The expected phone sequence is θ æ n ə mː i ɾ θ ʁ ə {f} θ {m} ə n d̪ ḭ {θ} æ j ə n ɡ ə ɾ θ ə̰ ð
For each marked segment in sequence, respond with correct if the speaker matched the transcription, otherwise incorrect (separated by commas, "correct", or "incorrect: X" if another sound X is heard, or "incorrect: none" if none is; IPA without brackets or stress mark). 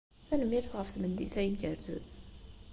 correct, correct, correct